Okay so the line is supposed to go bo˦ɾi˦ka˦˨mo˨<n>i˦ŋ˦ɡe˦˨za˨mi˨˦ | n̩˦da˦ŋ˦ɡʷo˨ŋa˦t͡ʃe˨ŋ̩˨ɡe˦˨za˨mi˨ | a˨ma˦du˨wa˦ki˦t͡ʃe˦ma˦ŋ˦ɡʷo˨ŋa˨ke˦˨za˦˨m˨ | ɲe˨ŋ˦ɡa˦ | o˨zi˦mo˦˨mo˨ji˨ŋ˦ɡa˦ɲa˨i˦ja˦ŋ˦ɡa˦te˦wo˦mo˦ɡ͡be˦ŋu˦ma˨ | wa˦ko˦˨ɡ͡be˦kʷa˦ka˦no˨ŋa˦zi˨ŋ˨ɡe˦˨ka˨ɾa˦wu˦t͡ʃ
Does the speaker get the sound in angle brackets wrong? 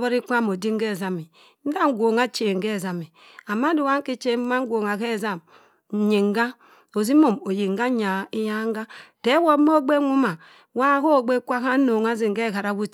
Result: yes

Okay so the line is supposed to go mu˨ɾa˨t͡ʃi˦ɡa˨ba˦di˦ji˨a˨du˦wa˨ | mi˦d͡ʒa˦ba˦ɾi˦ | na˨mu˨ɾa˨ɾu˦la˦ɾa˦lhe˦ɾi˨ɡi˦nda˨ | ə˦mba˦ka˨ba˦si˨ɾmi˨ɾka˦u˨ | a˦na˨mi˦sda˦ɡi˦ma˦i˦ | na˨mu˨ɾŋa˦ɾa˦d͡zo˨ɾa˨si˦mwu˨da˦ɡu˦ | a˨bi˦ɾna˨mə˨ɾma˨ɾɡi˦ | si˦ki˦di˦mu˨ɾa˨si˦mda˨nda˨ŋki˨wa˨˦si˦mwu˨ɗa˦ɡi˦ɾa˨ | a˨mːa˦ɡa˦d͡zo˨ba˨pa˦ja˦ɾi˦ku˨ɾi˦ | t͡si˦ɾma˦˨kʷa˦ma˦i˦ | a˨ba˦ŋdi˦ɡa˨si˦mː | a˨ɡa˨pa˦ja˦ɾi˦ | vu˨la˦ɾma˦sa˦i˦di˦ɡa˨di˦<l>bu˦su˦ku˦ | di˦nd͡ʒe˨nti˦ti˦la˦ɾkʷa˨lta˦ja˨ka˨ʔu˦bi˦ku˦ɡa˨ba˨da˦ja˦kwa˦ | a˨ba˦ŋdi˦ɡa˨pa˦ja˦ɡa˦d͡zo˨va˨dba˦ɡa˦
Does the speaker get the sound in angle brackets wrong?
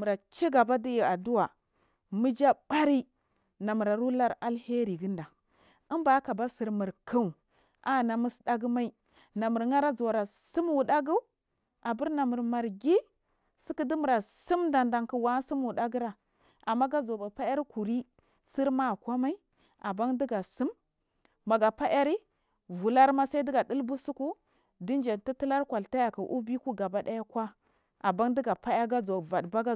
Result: no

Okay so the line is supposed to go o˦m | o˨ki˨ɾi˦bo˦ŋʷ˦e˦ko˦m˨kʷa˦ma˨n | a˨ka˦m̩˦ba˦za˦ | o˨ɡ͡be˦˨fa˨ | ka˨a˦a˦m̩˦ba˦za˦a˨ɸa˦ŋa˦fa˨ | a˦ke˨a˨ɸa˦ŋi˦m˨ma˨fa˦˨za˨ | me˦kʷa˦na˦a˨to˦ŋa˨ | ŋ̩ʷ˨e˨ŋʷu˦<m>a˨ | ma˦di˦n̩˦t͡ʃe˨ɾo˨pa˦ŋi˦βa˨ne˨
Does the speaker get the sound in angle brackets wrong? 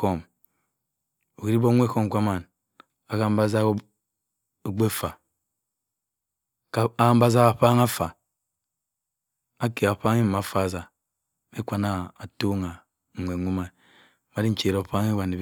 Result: no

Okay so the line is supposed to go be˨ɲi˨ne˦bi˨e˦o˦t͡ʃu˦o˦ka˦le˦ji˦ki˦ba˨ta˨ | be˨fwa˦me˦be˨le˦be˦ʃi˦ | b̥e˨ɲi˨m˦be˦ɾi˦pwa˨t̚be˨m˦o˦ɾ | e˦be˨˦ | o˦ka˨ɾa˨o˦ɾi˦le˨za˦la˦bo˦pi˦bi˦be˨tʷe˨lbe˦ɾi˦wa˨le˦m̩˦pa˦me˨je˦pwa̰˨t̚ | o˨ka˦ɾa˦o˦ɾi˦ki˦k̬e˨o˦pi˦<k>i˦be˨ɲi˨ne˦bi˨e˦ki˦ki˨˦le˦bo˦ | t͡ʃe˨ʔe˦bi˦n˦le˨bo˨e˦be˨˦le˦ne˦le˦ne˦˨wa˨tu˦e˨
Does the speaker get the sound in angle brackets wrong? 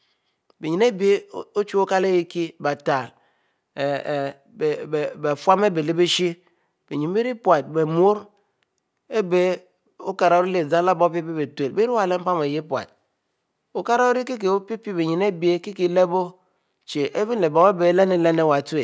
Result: yes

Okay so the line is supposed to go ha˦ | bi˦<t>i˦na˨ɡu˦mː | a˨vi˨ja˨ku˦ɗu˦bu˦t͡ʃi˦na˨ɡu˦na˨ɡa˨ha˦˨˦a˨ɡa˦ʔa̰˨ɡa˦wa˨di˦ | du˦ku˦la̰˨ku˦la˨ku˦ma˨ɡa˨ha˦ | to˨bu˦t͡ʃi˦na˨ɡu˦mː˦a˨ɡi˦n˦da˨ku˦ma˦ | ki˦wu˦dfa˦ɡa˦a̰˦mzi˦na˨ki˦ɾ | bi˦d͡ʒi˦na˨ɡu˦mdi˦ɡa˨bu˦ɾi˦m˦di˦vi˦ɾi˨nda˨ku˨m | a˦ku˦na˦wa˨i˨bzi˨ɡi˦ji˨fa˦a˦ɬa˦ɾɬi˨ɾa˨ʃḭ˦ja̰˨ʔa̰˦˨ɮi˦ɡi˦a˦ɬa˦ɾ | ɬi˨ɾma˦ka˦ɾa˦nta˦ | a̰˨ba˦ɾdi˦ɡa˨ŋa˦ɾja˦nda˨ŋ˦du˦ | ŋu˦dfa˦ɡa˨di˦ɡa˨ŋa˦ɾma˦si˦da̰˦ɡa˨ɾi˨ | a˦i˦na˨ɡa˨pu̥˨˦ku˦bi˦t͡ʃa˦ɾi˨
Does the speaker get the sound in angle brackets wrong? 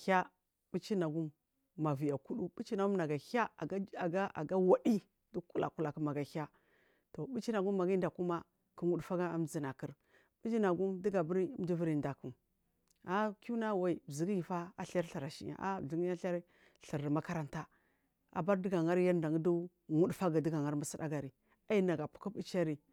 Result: yes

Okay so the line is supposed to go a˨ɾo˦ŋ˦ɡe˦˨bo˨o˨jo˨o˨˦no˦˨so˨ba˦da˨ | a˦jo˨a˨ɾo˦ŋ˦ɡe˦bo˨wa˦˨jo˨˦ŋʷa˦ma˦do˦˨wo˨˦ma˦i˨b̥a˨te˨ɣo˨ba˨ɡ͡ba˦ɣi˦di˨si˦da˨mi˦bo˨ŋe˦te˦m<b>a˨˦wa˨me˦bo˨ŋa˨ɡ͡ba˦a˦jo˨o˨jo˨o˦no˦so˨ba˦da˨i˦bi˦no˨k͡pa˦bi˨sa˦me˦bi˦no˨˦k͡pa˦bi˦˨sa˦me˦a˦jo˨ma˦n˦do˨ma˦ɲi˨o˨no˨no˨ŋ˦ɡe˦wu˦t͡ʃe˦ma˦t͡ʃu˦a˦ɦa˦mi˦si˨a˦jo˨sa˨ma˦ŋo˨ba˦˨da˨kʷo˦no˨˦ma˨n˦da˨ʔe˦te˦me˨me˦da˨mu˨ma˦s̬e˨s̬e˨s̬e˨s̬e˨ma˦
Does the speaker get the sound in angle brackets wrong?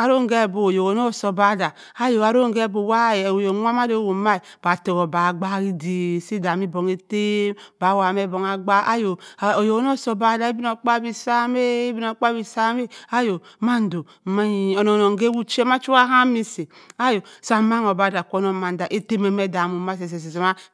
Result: no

